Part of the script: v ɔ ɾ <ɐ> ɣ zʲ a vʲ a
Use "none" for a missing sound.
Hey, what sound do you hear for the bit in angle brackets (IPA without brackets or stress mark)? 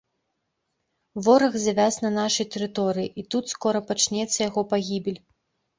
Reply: ɐ